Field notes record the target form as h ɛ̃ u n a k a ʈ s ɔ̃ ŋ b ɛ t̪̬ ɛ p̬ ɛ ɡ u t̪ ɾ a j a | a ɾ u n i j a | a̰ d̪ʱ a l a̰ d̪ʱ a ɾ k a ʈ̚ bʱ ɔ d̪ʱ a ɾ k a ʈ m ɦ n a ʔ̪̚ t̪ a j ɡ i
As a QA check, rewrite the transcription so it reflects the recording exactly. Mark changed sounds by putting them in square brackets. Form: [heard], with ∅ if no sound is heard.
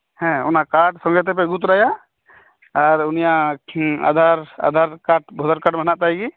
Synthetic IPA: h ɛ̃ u n a k a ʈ s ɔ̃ ŋ [ɡ] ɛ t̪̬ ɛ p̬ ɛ ɡ u t̪ ɾ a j a | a ɾ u n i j a | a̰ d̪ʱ a [ɾ] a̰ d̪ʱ a ɾ k a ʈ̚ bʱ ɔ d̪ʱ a ɾ k a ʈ m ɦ n a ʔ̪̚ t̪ a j ɡ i

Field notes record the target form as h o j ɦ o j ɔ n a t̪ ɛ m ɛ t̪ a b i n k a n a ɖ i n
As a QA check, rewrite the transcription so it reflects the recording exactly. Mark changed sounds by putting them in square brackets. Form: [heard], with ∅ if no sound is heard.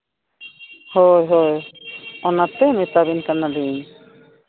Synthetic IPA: h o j ɦ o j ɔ n a t̪ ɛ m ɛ t̪ a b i n k a n a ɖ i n

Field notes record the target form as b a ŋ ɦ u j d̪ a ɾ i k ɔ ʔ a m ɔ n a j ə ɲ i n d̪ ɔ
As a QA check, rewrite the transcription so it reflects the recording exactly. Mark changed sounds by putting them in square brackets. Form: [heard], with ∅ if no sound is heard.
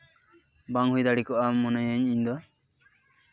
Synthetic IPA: b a ŋ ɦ u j d̪ a [ɽ] i k ɔ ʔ a m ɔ n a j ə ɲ i [ɲ] d̪ ɔ

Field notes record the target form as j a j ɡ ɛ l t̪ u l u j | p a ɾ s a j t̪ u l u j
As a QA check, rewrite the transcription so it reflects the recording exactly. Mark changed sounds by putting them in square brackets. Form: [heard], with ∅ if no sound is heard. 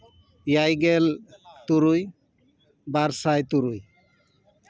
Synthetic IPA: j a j ɡ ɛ l t̪ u [ɾ] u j | [b] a ɾ s a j t̪ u [ɾ] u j

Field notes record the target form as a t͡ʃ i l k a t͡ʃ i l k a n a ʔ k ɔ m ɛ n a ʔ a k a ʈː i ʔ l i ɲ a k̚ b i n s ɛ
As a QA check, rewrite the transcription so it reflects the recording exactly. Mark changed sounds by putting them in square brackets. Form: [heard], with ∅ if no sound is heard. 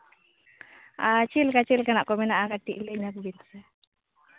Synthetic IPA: a t͡ʃ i l k a t͡ʃ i l k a n a ʔ k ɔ m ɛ n a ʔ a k a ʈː i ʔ l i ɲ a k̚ b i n s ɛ

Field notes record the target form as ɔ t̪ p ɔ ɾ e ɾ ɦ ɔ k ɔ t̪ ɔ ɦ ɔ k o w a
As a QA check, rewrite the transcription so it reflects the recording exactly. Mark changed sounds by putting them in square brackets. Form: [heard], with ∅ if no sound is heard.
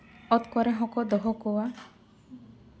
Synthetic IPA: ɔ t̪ [k] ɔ ɾ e [∅] ɦ ɔ k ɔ [d̪] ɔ ɦ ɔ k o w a

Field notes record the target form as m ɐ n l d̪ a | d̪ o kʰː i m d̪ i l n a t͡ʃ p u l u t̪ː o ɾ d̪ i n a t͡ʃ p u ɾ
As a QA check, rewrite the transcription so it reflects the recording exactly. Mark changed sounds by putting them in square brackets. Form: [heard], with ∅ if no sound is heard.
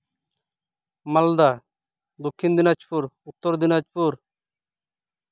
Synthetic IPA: m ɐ [∅] l d̪ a | d̪ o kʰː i [n] d̪ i [∅] n a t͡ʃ p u [ɾ] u t̪ː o ɾ d̪ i n a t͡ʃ p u ɾ

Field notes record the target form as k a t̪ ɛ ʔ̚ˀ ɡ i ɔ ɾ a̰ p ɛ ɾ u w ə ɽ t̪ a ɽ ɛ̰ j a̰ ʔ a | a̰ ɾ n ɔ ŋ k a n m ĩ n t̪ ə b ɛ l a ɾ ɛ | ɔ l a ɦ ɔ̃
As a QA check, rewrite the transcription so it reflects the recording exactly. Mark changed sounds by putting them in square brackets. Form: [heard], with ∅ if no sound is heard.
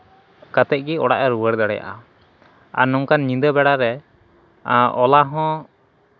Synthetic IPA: k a t̪ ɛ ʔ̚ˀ ɡ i ɔ [ɽ] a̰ [ʔ] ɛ ɾ u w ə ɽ [d̪] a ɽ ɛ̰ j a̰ ʔ a | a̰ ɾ n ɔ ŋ k a n [ɲ] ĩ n [d̪] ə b ɛ [ɽ] a ɾ ɛ | ɔ l a ɦ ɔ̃

